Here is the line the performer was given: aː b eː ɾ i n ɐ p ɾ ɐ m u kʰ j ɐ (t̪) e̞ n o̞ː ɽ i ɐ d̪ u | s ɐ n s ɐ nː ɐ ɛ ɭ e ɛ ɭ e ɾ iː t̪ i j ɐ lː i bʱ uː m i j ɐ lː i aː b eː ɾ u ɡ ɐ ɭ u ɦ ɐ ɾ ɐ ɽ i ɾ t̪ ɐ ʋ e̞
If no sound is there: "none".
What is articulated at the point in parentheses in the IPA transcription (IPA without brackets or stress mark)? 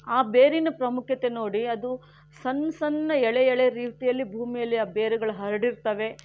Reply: t̪